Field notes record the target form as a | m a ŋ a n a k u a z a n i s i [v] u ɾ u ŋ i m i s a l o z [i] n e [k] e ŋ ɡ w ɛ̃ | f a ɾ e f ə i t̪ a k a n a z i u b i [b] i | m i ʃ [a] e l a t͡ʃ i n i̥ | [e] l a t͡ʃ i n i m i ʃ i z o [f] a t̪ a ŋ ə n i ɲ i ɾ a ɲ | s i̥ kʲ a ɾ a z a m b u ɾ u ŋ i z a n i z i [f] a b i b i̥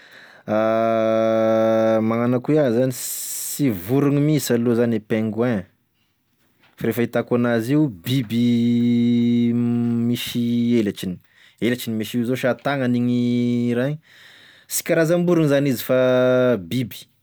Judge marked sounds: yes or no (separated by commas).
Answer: yes, no, no, yes, no, yes, no, yes